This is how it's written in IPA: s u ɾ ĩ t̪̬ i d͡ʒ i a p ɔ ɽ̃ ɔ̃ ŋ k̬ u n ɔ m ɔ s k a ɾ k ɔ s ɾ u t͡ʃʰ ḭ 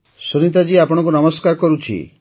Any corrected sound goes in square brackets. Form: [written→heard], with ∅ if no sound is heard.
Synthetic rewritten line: s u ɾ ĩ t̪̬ [i→a] d͡ʒ i a p ɔ ɽ̃ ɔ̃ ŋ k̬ u n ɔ m ɔ s k a ɾ k ɔ [s→∅] ɾ u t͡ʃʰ ḭ